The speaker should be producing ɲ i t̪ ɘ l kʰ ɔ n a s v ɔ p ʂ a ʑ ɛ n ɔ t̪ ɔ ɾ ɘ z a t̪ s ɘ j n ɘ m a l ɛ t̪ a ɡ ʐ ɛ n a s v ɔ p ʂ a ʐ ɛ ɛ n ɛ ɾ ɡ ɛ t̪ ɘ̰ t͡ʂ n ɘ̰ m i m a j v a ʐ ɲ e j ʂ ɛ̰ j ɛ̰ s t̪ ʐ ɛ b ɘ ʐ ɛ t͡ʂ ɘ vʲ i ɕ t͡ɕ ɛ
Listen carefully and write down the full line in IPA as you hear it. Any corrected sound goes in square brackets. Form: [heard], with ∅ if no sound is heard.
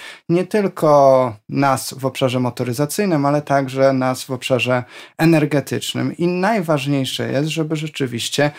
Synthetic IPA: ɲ [ɛ] t̪ ɘ l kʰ ɔ n a s v ɔ p ʂ a [ʐ] ɛ [m] ɔ t̪ ɔ ɾ ɘ z a t̪ s ɘ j n ɘ m a l ɛ t̪ a ɡ ʐ ɛ n a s v ɔ p ʂ a ʐ ɛ ɛ n ɛ ɾ ɡ ɛ t̪ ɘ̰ t͡ʂ n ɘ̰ m i [n] a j v a ʐ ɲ e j ʂ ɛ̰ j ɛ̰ s t̪ ʐ ɛ b ɘ ʐ ɛ t͡ʂ ɘ vʲ i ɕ t͡ɕ ɛ